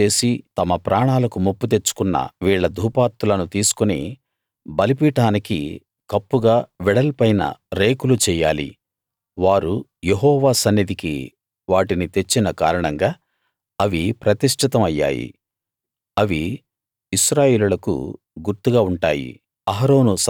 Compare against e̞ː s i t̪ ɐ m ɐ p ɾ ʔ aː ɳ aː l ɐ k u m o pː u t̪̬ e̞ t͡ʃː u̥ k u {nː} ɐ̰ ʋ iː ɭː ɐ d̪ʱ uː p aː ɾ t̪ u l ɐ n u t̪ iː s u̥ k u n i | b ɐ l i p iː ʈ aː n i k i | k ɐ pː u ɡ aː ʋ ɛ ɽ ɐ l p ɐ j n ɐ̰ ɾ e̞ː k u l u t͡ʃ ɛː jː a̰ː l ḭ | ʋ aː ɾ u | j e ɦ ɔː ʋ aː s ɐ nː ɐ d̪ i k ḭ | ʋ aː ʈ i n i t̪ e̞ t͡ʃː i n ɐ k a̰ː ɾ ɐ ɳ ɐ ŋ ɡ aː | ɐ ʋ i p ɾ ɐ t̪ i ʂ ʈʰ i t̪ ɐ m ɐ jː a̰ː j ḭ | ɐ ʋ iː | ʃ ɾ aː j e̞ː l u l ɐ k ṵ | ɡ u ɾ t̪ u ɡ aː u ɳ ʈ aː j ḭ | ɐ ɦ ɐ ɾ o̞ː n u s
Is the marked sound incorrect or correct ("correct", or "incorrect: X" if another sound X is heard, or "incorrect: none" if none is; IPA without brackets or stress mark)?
correct